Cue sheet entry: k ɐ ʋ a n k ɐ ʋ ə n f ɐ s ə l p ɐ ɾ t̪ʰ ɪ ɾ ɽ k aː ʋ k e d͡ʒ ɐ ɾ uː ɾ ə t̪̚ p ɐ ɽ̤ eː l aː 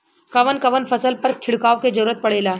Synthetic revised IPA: k ɐ ʋ ə n k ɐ ʋ ə n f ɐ s ə l p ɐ ɾ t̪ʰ ɪ ɽ k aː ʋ k e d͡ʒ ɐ ɾ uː ɾ ə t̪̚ p ɐ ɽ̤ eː l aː